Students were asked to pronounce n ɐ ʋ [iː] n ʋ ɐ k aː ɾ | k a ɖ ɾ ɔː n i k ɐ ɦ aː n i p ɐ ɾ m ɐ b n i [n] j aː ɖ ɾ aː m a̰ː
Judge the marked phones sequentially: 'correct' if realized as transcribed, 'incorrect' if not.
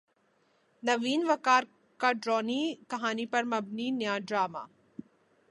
correct, correct

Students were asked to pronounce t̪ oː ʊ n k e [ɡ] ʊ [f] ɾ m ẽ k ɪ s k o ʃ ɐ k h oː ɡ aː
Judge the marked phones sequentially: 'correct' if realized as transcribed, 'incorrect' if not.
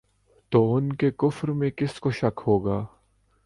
incorrect: k, correct

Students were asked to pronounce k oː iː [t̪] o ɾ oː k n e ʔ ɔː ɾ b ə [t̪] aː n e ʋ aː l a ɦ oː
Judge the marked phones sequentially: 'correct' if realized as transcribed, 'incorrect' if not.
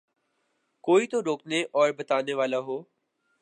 correct, correct

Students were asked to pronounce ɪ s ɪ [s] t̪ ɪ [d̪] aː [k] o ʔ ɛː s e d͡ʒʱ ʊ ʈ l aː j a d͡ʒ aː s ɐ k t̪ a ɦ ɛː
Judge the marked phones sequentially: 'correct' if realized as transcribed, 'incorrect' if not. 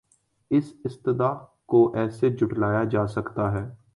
correct, correct, correct

